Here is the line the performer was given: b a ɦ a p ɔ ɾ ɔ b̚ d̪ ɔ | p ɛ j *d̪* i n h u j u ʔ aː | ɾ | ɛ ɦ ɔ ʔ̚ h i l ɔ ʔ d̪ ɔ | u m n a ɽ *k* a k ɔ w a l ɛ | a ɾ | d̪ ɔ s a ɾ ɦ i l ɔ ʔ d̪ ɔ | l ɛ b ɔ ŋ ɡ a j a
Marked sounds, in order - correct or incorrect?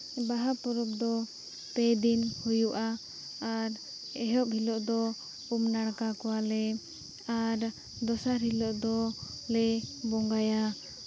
correct, correct

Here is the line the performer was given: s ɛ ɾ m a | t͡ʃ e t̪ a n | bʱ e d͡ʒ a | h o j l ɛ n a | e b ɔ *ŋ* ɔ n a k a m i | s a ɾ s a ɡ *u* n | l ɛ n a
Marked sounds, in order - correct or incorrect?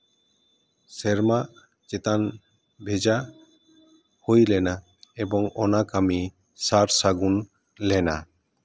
correct, correct

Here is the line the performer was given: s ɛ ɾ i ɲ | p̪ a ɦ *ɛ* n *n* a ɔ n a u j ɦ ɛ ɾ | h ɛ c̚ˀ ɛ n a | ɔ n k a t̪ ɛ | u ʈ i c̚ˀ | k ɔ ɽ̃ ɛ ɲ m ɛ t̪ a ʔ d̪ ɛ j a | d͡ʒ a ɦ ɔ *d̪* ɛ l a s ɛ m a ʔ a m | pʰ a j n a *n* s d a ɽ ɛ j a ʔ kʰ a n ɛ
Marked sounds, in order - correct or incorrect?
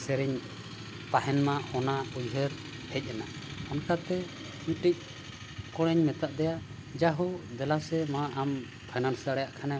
correct, incorrect: m, correct, correct

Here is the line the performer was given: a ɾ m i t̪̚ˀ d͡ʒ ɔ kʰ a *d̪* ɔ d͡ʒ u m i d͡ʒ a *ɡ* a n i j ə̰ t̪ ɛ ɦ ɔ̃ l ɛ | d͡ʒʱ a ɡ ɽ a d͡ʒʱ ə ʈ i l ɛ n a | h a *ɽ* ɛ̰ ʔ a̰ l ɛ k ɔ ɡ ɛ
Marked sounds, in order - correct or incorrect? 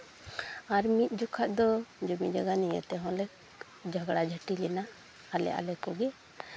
correct, correct, incorrect: l

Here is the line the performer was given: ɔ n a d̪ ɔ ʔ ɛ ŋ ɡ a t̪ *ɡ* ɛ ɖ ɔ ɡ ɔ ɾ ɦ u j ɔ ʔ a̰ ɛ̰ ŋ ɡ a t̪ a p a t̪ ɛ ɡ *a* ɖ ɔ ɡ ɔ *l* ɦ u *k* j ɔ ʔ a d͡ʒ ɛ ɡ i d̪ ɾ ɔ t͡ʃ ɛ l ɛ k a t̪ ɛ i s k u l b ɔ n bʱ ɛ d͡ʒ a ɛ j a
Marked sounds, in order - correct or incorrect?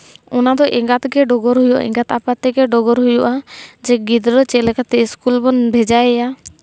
correct, incorrect: ɛ, incorrect: ɾ, incorrect: none

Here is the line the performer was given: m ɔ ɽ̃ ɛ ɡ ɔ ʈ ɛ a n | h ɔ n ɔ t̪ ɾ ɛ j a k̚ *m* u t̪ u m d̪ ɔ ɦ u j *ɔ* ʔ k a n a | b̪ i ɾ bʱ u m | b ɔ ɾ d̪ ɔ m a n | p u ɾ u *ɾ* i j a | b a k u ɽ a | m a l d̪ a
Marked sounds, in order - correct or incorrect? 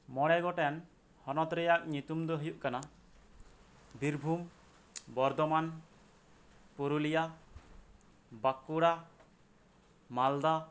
incorrect: ɲ, incorrect: u, incorrect: l

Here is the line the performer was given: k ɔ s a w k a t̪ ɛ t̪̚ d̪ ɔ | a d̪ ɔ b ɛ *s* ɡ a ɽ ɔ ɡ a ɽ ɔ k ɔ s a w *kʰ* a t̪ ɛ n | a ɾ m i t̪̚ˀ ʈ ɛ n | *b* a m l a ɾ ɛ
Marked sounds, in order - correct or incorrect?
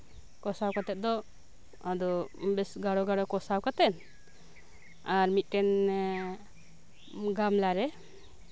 correct, incorrect: k, incorrect: ɡ

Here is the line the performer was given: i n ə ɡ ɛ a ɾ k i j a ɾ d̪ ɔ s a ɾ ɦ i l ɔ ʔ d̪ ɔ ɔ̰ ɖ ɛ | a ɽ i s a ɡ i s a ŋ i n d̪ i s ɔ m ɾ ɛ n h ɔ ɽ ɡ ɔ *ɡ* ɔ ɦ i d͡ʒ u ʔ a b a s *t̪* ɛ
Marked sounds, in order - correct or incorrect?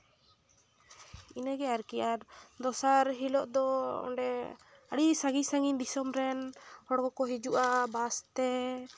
incorrect: k, correct

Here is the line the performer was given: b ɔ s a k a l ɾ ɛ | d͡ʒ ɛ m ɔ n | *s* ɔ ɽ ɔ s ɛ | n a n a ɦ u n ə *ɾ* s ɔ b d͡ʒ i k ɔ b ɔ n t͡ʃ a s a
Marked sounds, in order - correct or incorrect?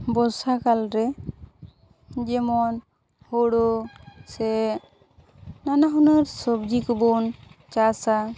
incorrect: h, correct

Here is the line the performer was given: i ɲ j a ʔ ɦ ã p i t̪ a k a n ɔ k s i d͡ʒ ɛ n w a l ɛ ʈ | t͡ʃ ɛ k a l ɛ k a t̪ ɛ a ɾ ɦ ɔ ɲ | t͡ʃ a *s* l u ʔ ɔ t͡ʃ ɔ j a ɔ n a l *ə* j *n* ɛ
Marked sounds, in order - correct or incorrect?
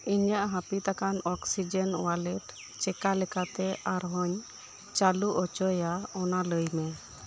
incorrect: none, correct, incorrect: m

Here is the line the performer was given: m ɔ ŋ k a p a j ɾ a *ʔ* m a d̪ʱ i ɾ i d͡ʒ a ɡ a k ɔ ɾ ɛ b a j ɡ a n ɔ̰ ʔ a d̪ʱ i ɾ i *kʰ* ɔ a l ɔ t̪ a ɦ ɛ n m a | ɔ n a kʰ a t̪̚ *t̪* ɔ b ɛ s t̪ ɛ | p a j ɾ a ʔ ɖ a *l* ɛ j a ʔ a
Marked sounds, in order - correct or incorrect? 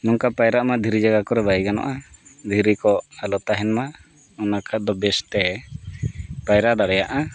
correct, incorrect: k, incorrect: d̪, incorrect: ɽ

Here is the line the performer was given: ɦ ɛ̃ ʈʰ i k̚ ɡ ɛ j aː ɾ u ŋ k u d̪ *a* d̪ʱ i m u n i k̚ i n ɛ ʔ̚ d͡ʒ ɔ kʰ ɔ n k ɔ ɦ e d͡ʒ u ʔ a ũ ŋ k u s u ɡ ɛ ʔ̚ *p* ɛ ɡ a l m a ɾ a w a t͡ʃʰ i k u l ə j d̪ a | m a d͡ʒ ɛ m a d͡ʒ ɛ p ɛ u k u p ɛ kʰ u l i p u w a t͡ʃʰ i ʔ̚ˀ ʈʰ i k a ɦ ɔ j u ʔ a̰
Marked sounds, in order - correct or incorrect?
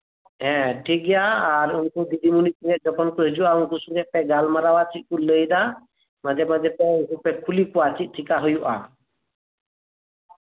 incorrect: i, correct

